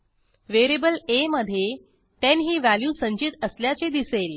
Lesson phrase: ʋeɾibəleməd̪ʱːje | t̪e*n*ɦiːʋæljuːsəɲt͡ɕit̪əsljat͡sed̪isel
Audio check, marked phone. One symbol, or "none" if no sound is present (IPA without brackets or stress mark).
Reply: n